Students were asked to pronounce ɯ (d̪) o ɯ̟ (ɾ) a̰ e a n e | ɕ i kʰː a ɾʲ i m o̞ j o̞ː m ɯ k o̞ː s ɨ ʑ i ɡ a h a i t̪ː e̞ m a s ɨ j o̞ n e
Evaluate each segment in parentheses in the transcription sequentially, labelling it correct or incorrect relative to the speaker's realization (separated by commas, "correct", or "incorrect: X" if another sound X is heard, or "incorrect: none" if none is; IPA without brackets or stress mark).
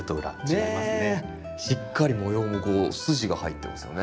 incorrect: t̪, correct